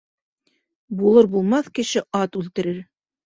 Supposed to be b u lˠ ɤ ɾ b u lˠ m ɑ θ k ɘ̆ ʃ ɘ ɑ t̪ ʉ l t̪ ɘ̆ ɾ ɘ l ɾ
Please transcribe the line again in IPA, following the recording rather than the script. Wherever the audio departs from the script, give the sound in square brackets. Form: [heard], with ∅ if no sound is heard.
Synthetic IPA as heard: b u lˠ ɤ ɾ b u lˠ m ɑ θ k ɘ̆ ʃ ɘ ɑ t̪ ʉ l t̪ ɘ̆ ɾ ɘ [∅] ɾ